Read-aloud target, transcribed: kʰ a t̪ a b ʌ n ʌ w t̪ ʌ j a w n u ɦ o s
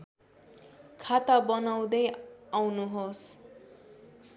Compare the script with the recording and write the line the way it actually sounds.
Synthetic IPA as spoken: kʰ a t̪ a b ʌ n a w d̪ ʌ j a w n u ɦ o s